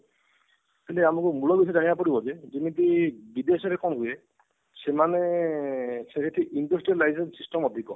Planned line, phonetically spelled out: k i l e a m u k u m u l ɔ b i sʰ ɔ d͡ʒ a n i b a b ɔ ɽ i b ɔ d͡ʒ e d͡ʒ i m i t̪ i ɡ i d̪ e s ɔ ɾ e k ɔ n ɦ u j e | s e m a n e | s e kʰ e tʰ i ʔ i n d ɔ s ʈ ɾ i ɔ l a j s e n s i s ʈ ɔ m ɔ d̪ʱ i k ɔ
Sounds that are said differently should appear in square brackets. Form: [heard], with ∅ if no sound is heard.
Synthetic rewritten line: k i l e a m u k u m u l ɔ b i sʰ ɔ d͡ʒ a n i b a [p] ɔ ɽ i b ɔ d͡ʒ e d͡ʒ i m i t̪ i [b] i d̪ e s ɔ ɾ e k ɔ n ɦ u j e | s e m a n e | s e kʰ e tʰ i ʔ i n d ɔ s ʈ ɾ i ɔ l a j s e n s i s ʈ ɔ m ɔ d̪ʱ i k ɔ